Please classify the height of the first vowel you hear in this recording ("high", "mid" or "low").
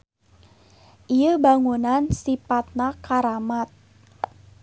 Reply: high